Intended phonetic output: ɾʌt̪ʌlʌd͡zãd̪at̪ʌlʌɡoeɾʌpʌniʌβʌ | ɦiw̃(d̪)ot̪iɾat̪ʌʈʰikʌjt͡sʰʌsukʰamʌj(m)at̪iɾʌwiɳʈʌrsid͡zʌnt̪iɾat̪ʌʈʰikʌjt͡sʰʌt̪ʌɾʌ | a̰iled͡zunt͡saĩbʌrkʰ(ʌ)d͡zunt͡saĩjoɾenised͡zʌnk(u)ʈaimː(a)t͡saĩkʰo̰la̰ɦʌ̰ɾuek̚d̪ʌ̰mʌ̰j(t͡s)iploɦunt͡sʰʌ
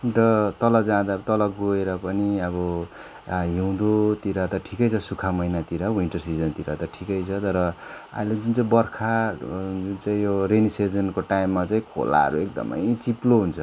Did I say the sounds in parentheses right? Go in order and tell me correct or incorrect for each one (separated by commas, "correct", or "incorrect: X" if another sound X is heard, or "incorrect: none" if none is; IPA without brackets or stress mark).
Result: correct, incorrect: n, incorrect: a, incorrect: o, correct, correct